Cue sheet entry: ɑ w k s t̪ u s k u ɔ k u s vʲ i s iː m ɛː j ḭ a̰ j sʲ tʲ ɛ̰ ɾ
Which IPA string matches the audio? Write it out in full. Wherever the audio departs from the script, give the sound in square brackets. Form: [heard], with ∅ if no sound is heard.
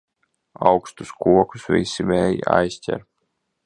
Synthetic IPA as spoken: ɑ w k s t̪ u s k u ɔ k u s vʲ i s [i] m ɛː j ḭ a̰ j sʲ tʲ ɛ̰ ɾ